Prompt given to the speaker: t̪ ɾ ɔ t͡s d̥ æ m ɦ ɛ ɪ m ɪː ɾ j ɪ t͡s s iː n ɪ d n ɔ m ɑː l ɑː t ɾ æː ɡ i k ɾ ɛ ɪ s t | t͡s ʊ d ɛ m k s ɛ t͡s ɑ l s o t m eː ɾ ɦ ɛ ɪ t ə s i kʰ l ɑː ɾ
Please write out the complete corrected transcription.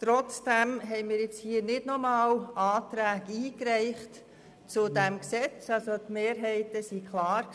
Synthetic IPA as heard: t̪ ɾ ɔ t͡s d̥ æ m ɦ ɛ ɪ m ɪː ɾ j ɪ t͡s h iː n ɪ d n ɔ m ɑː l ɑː t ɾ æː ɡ iː k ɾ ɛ ɪ χ t | t͡s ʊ d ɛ m k s ɛ t͡s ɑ l s o t m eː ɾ ɦ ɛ ɪ t ə s i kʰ l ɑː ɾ